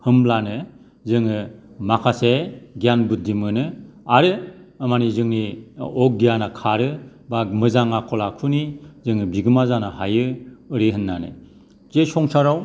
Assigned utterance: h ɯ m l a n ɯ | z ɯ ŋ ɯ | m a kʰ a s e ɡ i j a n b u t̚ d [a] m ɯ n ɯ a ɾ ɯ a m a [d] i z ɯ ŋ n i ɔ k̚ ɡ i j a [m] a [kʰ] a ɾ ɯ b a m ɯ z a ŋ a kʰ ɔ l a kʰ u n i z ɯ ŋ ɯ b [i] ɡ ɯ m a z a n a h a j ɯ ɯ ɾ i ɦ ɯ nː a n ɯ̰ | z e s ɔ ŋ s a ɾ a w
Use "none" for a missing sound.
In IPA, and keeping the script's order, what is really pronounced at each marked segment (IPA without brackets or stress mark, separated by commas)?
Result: i, n, n, kʰ, i